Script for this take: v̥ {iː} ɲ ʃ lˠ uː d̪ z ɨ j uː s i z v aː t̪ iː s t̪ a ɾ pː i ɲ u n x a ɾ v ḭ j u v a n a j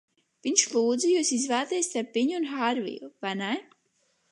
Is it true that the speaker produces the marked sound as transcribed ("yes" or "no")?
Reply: no